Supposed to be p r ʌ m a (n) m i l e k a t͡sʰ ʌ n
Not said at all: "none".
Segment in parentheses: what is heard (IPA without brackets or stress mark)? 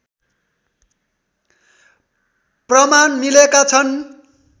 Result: n